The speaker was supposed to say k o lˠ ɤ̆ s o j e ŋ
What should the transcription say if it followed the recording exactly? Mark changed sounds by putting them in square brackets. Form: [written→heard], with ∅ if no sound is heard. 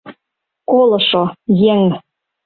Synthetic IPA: k o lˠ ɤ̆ [s→ʃ] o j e ŋ